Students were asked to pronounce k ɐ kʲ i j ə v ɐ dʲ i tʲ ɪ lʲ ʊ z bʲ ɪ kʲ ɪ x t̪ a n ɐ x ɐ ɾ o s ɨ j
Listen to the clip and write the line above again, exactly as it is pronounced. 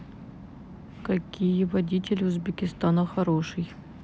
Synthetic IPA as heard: k ɐ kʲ i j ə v ɐ dʲ i tʲ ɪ lʲ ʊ z bʲ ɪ kʲ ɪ s t̪ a n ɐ x ɐ ɾ o ʂ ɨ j